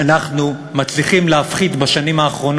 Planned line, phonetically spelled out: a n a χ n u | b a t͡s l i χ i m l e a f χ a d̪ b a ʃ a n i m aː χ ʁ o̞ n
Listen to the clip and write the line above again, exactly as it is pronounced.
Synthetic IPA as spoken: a n a χ n u | m a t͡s l i χ i m l e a f χ i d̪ b a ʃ a n i m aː χ ʁ o̞ n

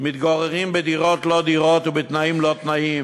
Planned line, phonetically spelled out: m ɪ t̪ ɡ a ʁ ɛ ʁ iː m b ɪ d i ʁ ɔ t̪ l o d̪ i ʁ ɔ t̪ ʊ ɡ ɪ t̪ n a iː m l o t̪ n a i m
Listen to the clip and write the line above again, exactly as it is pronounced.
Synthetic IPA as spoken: m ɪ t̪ ɡ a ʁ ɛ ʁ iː m b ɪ d i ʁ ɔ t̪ l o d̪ i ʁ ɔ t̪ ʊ b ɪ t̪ n a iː m l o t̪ n a i m

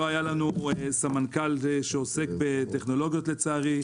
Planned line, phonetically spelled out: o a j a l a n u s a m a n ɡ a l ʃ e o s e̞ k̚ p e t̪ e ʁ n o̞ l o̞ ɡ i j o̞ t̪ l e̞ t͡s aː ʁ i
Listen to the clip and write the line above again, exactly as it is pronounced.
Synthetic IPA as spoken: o a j a l a n u s a m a n k a l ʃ e o s e̞ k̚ b e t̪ e χ n o̞ l o̞ ɡ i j o̞ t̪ l e̞ t͡s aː ʁ i

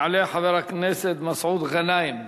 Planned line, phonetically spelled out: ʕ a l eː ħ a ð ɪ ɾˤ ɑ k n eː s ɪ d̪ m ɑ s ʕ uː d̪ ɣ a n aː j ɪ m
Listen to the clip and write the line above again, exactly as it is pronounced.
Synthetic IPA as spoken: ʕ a l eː ħ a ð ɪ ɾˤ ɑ k n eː s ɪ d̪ m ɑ s ʕ uː d̪ ɣ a n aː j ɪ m

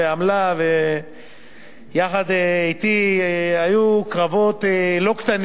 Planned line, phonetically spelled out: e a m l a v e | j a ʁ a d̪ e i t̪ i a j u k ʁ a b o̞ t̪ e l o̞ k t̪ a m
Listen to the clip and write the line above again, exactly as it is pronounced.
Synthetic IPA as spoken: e a m l a v e | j a χ a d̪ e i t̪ i a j u k ʁ a v o̞ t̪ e l o̞ k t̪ a n

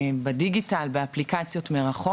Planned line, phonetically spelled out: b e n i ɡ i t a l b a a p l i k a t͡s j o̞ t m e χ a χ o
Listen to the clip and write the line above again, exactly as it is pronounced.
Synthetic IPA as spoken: b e d i ɡ i t a l b e a p l i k a t͡s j o̞ t m e ʁ a χ o

